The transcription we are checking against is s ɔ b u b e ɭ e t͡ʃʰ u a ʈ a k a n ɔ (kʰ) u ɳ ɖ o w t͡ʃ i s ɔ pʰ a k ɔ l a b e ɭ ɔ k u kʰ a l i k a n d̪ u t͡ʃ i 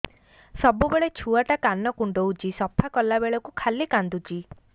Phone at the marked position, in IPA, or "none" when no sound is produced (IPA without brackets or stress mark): k